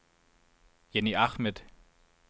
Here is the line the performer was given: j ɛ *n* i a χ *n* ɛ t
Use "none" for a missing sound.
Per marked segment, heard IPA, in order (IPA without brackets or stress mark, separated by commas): n, m